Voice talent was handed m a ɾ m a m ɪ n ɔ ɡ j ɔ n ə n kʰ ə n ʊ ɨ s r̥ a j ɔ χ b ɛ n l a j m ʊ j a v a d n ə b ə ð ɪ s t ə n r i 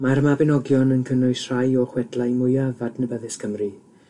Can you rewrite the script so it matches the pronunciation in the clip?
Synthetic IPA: m a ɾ m a b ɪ n ɔ ɡ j ɔ n ə n kʰ ə n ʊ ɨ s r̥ a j ɔ χ w ɛ d l a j m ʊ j a v a d n ə b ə ð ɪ s k ə m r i